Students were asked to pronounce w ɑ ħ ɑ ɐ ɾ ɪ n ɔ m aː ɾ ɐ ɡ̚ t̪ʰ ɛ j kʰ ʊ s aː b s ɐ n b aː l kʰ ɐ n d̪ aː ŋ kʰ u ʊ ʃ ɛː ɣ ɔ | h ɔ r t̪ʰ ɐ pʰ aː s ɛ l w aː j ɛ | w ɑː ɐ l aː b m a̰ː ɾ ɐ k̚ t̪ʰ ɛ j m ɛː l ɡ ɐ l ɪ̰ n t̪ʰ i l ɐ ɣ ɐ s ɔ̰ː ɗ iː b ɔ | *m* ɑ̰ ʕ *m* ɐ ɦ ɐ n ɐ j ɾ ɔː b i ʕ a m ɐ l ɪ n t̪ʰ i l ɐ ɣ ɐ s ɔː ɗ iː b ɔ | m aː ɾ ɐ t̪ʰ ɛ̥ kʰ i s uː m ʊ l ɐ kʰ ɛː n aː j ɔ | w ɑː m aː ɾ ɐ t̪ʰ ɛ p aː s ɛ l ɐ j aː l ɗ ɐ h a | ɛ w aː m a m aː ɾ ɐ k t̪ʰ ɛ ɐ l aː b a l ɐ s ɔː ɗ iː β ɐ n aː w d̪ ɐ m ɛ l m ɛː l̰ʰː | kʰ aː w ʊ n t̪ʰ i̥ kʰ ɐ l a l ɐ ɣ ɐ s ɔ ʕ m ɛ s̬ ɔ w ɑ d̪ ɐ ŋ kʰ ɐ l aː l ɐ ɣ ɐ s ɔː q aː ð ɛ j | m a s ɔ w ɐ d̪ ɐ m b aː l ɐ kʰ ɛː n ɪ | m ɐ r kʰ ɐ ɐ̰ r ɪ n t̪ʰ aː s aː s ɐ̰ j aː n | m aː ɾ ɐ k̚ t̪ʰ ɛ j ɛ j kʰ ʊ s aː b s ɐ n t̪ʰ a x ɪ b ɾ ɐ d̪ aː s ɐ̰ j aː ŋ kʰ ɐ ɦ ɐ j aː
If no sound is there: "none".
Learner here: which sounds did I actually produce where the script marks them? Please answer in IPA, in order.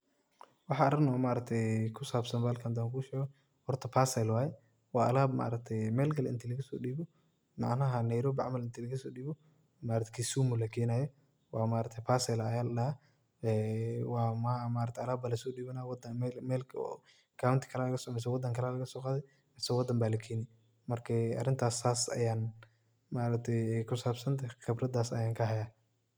m, n

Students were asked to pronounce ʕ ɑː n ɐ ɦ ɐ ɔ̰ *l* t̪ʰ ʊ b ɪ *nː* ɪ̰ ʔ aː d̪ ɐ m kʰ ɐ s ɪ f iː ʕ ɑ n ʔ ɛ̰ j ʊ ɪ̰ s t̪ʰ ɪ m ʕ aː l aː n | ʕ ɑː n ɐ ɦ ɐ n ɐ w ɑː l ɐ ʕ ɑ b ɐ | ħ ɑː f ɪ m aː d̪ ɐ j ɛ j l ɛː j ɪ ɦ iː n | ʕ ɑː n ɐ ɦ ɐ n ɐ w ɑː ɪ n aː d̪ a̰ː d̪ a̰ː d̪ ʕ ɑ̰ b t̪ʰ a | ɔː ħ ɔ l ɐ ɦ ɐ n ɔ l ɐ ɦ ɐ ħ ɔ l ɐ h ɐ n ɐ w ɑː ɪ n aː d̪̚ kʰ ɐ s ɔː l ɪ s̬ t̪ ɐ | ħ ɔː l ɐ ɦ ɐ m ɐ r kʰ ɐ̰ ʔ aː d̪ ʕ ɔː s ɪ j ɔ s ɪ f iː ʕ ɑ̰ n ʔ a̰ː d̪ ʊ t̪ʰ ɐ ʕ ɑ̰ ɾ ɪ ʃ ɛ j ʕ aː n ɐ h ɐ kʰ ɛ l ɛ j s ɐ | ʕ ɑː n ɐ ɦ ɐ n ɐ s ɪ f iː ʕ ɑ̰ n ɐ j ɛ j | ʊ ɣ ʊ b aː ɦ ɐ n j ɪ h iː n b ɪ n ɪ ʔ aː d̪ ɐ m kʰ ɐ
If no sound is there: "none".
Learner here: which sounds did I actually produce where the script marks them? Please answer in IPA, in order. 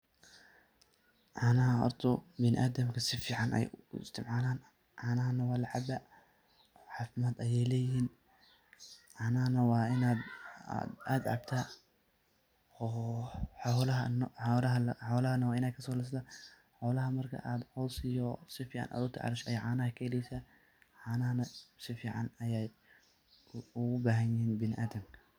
r, n

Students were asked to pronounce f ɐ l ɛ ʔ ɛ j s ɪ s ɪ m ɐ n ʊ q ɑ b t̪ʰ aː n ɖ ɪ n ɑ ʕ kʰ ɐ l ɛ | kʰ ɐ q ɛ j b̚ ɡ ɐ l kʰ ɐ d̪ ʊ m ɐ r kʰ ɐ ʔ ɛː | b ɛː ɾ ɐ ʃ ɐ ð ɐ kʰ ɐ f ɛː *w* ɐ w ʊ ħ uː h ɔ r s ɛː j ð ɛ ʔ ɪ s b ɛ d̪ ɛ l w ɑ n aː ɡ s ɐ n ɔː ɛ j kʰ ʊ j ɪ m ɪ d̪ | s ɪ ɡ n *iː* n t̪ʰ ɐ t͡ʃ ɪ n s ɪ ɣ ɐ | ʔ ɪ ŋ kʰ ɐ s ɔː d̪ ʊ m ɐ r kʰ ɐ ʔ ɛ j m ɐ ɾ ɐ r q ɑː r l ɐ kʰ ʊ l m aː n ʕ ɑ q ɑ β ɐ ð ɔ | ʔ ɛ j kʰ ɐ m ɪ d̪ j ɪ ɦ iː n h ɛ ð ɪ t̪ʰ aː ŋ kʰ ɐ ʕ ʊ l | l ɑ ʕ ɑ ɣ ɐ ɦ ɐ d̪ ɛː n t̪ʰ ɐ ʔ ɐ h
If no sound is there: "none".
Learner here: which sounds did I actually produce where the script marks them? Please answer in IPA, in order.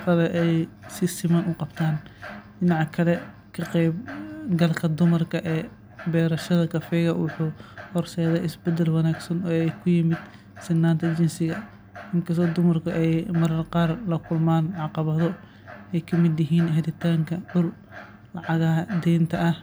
ɣ, aː

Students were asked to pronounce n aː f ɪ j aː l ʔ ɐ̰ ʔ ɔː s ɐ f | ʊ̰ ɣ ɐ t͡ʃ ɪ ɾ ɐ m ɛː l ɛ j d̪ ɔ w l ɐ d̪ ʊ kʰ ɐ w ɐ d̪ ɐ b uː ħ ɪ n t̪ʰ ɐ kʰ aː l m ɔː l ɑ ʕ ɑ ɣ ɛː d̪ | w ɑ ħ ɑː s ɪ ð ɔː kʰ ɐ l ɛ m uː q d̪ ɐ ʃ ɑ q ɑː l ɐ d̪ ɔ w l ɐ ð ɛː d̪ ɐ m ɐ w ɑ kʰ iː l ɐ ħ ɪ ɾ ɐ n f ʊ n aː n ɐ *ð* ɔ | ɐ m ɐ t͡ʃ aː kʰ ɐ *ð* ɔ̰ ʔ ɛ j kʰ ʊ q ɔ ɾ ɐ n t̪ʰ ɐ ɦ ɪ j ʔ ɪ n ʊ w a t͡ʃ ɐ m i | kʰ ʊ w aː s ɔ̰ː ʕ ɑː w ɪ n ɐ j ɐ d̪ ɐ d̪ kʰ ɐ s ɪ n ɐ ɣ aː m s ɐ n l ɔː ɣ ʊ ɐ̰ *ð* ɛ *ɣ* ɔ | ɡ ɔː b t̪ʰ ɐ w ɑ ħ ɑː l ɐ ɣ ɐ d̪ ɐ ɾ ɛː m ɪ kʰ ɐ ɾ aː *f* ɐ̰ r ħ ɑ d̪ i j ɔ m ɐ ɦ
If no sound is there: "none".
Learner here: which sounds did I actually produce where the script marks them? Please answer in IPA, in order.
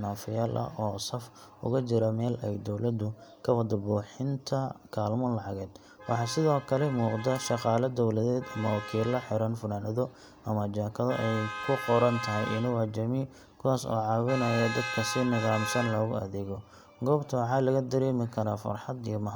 ð, ð, ð, ɣ, f

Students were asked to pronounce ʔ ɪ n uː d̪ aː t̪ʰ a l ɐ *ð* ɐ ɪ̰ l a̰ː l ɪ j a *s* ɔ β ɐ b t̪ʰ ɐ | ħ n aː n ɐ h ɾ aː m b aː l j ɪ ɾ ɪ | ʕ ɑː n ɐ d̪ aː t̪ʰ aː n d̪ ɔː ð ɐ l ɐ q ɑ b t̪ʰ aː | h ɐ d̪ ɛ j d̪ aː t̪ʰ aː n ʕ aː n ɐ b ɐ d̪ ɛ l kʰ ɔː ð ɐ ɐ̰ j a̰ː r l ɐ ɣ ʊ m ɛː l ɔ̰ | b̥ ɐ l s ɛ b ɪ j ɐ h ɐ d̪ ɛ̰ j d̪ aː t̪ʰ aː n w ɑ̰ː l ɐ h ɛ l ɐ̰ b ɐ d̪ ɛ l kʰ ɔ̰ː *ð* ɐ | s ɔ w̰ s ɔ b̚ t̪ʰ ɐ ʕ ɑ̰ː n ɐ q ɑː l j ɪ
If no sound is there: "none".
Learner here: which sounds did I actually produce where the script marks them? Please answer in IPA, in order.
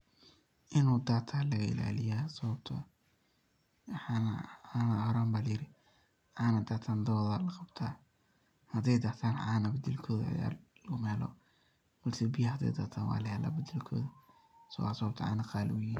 ɣ, s, ð

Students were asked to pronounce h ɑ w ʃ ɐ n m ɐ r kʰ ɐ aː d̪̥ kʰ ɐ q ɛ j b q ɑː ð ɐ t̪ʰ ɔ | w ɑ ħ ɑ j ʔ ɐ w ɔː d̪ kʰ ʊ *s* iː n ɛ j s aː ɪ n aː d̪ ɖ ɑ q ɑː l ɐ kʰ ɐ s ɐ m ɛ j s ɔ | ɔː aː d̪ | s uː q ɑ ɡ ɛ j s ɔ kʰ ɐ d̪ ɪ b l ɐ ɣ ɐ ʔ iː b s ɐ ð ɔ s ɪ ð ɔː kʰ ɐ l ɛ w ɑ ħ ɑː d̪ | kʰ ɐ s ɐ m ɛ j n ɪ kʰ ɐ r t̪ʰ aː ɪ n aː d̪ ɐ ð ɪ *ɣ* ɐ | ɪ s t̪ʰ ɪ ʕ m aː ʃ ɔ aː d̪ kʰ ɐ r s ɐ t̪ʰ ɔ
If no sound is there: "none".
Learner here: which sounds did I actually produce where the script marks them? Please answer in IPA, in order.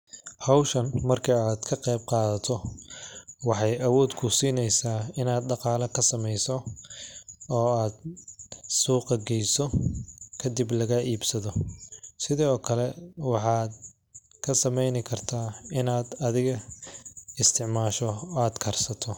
s, ɣ

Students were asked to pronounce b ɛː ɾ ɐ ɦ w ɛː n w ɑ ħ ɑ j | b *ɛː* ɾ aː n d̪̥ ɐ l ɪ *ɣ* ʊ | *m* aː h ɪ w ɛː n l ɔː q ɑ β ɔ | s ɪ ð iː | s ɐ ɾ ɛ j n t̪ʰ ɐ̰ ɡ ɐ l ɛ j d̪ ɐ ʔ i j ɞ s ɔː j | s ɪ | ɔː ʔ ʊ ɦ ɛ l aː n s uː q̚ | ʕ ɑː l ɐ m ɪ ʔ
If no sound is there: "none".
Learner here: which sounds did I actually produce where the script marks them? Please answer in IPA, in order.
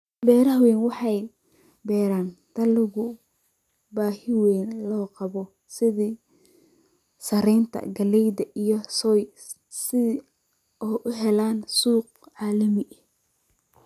ɛː, ɣ, b

